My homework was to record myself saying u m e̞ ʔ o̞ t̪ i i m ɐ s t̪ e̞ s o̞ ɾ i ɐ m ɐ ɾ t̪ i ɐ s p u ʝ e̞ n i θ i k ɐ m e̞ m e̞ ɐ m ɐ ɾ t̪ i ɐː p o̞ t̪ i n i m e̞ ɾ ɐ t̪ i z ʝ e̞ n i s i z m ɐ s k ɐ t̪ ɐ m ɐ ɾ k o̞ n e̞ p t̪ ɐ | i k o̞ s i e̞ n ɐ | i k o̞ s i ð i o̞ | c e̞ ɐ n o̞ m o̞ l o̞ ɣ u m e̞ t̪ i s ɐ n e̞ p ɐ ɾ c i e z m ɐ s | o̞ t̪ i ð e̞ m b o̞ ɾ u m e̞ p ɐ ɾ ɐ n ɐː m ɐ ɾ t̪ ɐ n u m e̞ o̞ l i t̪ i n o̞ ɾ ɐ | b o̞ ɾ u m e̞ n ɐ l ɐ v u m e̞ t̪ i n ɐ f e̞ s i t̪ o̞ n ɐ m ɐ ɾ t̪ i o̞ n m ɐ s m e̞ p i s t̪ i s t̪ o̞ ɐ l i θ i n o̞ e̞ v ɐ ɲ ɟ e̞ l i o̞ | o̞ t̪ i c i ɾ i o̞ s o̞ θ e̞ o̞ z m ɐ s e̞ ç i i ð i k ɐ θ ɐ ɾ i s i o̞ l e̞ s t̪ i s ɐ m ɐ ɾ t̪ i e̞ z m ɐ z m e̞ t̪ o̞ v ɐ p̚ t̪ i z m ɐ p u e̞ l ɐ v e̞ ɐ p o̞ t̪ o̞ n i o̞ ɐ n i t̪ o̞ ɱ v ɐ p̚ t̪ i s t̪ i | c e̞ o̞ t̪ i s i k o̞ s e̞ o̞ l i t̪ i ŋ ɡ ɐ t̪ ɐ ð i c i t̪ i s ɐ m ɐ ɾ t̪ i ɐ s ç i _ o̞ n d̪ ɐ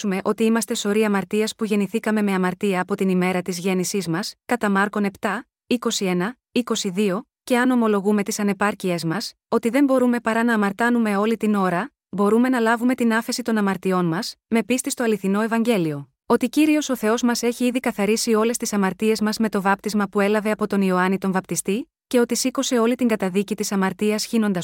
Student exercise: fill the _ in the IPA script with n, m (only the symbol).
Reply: n